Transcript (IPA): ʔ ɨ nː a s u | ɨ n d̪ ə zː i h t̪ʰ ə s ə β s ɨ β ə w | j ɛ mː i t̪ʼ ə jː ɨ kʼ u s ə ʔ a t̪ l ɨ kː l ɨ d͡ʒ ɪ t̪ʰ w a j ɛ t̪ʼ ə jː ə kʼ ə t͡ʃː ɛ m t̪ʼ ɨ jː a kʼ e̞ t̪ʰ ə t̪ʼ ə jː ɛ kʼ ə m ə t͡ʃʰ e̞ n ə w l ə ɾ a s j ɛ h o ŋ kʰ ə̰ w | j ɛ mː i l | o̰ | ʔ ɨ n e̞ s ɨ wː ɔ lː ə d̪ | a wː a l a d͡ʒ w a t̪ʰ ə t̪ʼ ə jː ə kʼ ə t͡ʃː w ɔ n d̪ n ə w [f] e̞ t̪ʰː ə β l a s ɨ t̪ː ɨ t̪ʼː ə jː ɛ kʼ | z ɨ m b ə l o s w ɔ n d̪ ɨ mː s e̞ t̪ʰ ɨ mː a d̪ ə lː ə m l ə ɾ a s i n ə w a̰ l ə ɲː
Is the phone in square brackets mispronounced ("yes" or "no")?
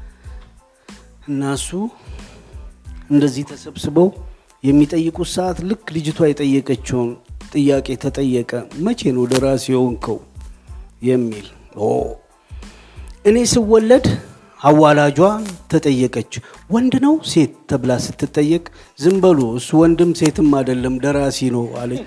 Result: yes